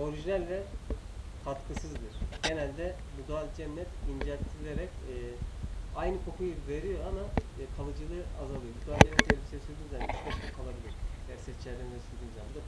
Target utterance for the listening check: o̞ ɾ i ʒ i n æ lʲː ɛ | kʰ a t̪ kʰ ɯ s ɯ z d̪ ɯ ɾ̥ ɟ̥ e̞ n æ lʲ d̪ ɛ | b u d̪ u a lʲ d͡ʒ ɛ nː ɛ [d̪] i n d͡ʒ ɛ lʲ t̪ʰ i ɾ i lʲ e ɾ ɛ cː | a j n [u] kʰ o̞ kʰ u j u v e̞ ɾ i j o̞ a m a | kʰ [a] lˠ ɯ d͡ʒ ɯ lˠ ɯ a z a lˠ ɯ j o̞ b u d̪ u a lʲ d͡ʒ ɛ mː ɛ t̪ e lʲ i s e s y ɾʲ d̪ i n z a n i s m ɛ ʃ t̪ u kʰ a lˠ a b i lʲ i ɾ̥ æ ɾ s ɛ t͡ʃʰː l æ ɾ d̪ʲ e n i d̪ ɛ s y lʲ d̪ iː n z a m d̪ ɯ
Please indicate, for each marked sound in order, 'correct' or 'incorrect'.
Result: incorrect, incorrect, correct

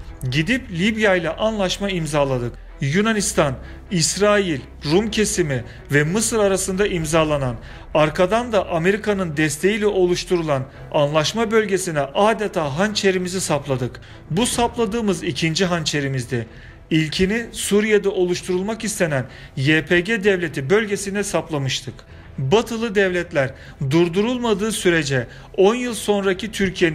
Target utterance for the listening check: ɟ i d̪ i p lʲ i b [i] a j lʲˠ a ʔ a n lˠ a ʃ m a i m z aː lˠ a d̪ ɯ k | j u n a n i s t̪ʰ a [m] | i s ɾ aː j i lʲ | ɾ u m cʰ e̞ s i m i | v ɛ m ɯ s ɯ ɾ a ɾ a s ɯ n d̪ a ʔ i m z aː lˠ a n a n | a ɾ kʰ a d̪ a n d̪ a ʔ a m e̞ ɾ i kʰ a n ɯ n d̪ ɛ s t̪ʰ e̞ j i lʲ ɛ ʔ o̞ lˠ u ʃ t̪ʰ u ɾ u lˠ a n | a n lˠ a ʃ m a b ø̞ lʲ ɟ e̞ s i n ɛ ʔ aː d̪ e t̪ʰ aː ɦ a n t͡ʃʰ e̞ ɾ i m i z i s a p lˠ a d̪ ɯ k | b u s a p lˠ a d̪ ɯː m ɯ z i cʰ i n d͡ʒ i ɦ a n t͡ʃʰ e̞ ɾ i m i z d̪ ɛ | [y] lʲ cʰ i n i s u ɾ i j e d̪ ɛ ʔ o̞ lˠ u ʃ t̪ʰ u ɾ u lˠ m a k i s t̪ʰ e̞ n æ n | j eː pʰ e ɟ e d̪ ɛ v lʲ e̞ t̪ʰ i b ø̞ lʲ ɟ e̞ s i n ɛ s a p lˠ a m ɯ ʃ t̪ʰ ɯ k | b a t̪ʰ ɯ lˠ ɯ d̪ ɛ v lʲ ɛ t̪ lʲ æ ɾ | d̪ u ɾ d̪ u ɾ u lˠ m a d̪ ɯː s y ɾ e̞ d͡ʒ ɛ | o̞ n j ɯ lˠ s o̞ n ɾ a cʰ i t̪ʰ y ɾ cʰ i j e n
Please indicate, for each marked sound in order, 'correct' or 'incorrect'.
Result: incorrect, incorrect, incorrect

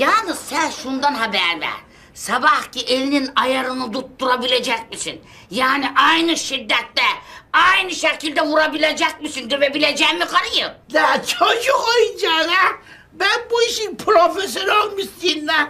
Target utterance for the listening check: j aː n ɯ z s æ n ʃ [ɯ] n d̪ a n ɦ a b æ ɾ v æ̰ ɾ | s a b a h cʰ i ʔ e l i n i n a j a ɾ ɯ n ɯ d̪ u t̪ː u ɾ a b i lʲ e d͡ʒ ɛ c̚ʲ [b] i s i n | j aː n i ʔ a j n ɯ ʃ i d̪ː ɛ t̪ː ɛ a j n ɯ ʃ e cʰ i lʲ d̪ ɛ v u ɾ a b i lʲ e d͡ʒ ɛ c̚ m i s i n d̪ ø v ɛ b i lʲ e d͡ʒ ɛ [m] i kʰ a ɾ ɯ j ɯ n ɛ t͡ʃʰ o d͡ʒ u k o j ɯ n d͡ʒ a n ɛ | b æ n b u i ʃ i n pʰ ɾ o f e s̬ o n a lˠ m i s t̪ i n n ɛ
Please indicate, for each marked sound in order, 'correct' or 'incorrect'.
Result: incorrect, incorrect, correct

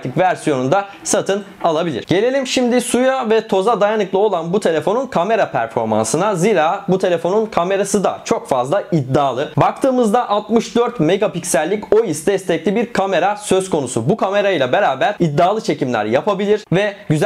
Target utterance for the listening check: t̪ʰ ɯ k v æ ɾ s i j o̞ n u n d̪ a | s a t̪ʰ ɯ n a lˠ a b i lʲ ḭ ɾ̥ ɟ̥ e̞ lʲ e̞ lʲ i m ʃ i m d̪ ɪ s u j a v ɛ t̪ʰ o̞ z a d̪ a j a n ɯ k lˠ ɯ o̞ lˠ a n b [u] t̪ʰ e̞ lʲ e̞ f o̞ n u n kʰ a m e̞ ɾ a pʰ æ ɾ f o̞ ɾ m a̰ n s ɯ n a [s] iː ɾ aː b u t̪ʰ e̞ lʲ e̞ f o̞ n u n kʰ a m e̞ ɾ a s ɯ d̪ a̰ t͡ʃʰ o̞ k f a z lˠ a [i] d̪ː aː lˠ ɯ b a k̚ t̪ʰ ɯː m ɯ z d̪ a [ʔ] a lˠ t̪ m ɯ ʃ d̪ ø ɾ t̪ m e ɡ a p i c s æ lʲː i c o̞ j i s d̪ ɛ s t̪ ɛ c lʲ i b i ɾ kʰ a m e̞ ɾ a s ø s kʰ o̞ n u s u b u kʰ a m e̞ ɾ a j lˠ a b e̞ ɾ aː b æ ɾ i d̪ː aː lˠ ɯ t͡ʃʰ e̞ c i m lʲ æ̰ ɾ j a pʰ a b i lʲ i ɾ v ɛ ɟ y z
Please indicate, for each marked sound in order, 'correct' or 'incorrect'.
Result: correct, incorrect, correct, correct

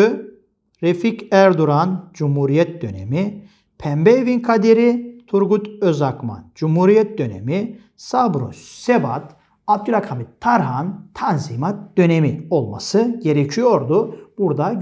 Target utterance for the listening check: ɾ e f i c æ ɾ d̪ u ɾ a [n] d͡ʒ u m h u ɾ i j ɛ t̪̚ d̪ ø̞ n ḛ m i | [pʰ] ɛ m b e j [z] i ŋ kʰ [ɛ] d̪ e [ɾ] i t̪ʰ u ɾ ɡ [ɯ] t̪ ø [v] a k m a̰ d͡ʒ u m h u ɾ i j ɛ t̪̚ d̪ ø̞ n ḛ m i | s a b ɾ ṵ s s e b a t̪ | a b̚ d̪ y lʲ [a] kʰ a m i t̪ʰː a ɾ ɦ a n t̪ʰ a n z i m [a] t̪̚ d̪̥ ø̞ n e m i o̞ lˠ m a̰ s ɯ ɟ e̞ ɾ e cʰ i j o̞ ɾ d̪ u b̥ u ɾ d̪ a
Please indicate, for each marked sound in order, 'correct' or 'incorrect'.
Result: correct, correct, incorrect, incorrect, correct, incorrect, incorrect, correct, correct

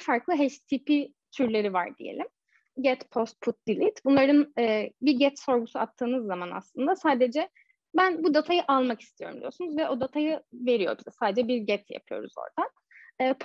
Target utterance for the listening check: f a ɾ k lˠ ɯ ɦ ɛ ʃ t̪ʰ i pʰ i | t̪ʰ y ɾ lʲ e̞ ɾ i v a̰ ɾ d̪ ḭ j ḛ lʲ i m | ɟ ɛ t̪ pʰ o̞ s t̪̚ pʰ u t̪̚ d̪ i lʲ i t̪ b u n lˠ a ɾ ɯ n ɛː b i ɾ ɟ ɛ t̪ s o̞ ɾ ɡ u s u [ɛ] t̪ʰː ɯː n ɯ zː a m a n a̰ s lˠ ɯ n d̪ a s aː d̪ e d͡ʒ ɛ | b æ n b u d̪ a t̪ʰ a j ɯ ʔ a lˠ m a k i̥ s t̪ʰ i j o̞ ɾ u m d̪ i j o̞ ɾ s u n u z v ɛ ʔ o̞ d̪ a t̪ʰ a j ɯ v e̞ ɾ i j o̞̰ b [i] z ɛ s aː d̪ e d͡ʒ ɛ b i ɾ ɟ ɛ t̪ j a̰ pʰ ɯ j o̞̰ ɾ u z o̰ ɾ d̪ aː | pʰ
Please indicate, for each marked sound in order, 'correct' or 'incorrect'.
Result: incorrect, correct

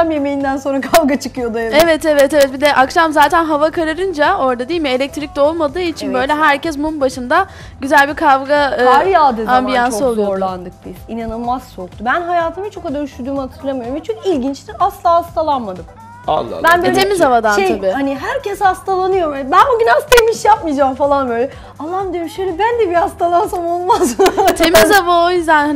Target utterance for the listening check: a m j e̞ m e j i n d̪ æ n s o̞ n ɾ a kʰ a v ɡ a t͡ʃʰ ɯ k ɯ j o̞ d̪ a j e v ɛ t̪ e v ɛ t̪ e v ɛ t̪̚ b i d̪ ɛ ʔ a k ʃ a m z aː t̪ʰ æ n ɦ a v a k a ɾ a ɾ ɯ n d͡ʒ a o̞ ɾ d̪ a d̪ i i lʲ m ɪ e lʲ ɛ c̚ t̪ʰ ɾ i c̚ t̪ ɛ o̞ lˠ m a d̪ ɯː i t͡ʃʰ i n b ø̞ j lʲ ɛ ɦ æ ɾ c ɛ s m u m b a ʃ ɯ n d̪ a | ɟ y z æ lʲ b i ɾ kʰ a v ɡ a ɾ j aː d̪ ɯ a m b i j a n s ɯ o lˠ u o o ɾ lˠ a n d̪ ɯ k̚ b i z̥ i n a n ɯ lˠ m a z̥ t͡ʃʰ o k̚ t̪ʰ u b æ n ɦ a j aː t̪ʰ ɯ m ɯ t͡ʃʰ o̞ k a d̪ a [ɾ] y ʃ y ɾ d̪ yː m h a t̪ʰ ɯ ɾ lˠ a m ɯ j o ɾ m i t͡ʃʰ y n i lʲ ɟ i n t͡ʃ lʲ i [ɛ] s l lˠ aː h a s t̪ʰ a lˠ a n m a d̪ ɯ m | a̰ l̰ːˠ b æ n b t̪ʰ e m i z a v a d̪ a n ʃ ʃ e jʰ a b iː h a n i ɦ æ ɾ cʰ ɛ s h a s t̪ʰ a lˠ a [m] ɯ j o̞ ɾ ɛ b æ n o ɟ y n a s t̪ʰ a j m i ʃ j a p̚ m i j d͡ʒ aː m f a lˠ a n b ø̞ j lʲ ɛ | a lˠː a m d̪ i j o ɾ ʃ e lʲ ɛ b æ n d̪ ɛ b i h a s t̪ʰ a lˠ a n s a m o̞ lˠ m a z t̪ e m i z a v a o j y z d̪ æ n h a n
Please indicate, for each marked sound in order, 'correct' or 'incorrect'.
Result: correct, incorrect, incorrect

